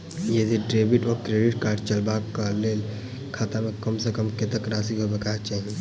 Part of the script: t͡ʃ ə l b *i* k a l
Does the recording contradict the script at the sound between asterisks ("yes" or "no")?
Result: yes